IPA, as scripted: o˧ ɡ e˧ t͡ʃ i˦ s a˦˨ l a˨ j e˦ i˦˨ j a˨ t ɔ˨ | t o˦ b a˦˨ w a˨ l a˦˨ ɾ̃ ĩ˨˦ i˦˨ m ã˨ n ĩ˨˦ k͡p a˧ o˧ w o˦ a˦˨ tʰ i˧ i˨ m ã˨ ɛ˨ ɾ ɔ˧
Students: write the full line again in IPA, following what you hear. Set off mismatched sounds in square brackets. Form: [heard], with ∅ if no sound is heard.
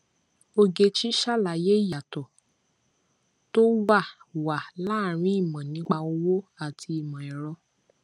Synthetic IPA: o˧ ɡ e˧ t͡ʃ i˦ [ʃ] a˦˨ l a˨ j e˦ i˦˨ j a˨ t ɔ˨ | t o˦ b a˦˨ w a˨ l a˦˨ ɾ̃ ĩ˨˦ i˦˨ m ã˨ n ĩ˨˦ k͡p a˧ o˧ w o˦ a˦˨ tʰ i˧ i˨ m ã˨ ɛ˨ ɾ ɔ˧